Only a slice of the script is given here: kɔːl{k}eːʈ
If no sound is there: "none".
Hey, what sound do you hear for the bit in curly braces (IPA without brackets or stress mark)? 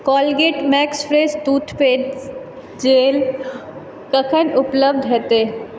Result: ɡ